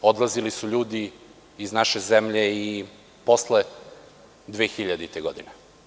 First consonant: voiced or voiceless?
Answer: voiced